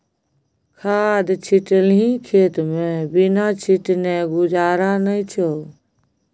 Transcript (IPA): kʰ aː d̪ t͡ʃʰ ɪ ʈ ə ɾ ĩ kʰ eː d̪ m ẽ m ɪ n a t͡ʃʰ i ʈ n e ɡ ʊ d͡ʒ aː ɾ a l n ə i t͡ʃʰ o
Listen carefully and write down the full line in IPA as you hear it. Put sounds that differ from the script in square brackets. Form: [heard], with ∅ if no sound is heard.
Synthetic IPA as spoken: kʰ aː d̪ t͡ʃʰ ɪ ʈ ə [l] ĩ kʰ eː [t̪] m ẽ [b] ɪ n a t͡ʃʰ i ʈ n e ɡ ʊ d͡ʒ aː ɾ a [∅] n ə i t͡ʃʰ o

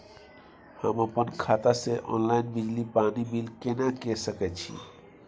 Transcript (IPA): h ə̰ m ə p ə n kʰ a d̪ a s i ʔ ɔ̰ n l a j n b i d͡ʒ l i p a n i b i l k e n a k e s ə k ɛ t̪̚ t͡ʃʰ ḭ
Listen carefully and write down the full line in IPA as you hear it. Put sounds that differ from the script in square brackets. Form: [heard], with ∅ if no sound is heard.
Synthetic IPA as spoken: h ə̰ m ə p ə n kʰ a [t̪] a s [e] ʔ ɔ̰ n l a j n b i d͡ʒ l i p a n i b i l k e n a k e s ə k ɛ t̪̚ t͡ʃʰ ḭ

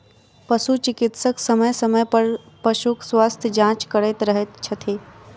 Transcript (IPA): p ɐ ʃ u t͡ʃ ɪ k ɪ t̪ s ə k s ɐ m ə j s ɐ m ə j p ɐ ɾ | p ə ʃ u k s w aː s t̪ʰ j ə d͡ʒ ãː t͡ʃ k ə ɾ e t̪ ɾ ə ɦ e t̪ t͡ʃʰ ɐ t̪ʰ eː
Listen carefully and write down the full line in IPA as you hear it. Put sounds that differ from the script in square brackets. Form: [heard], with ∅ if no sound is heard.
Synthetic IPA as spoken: p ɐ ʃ u t͡ʃ ɪ k ɪ t̪ s ə k s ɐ m ə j s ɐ m ə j p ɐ ɾ | p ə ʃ u k s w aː s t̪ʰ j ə d͡ʒ ãː t͡ʃ k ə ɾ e t̪ ɾ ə ɦ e t̪ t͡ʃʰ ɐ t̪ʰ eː

